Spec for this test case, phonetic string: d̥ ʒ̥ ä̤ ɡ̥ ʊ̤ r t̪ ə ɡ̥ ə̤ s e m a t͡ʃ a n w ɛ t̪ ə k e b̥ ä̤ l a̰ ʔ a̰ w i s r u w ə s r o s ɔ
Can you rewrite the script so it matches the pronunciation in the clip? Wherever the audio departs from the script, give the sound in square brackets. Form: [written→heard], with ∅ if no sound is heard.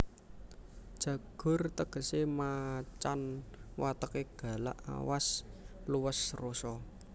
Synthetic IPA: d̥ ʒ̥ ä̤ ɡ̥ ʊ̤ r t̪ ə ɡ̥ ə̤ s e m a t͡ʃ a n w [ɛ→a] t̪ ə k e [b̥→ɡ̥] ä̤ l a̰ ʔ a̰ w [i→a] s [r→l] u w ə s r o s ɔ